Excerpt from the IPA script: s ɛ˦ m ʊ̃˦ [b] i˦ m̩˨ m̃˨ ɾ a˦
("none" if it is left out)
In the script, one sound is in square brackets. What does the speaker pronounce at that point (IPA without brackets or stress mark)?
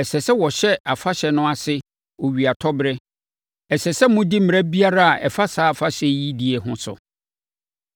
d